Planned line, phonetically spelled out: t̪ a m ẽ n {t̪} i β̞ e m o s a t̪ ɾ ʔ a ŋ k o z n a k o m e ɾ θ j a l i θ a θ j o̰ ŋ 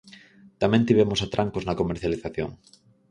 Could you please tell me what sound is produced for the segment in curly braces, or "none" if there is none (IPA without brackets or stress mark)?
t̪